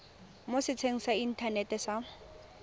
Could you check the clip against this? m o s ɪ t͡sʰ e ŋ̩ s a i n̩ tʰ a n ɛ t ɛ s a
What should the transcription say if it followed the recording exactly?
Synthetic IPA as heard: m o s ɪ t͡sʰ e ŋ̩ s a i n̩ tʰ a n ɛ t ɛ s a